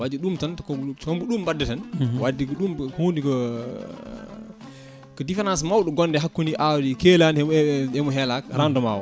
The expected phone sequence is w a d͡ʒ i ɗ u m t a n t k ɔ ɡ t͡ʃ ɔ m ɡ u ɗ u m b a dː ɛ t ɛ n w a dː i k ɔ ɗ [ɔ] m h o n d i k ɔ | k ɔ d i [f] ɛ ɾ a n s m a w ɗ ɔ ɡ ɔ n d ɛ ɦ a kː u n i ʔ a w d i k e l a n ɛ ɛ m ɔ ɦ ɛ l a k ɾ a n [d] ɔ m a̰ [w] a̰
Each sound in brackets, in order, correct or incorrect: incorrect: u, correct, correct, correct

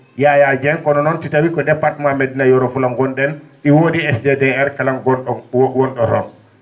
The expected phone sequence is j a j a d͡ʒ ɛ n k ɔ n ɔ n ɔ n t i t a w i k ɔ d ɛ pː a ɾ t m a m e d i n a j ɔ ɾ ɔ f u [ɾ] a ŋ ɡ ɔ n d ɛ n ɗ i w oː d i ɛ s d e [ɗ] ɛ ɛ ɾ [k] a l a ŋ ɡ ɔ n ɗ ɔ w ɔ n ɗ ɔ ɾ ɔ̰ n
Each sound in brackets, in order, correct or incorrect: incorrect: l, incorrect: d, correct

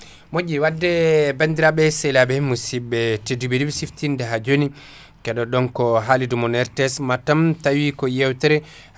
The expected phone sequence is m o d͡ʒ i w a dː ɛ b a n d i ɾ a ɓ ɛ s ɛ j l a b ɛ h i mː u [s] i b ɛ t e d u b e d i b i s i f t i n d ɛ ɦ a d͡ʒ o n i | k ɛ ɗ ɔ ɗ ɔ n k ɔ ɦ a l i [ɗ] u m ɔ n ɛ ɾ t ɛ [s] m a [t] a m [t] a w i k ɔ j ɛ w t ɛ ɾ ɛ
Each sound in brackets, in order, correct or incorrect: correct, incorrect: d, correct, correct, correct

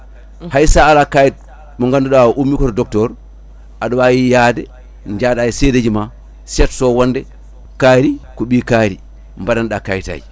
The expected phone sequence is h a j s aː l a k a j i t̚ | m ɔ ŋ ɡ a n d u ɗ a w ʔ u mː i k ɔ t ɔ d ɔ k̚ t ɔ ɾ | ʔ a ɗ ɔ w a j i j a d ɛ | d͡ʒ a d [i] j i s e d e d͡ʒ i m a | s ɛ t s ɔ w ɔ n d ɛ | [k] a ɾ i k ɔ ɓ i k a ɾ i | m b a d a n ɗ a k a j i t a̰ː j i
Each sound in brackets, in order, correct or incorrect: incorrect: a, correct

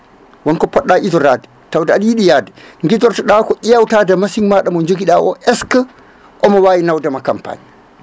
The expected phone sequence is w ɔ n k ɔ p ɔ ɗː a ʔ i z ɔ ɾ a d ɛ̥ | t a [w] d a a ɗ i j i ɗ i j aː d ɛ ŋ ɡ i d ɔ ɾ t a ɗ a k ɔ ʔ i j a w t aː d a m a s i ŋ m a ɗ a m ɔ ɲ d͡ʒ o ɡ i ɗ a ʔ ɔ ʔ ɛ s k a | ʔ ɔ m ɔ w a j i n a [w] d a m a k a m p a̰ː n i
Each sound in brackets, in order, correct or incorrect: correct, correct

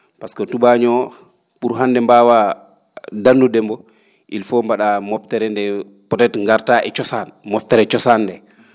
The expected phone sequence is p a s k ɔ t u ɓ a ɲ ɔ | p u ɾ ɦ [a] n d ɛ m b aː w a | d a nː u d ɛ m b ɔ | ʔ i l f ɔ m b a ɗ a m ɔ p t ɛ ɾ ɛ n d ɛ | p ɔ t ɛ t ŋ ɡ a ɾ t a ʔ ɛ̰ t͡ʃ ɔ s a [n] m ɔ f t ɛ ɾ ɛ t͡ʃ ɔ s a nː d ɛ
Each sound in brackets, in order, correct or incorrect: correct, correct

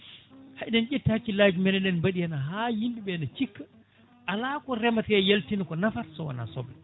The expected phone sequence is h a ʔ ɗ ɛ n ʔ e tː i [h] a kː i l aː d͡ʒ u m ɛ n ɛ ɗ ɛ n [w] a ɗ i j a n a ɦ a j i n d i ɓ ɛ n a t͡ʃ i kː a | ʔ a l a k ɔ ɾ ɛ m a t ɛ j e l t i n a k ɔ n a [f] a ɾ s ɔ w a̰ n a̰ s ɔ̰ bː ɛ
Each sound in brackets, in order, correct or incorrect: correct, incorrect: b, correct

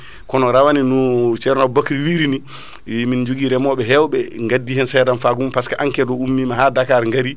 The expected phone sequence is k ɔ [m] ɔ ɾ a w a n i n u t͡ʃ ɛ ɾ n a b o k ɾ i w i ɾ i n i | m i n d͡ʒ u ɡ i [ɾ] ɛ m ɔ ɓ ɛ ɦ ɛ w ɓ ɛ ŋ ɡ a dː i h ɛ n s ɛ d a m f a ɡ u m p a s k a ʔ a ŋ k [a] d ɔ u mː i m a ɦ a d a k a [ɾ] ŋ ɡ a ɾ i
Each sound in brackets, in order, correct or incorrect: incorrect: n, correct, incorrect: ɛ, correct

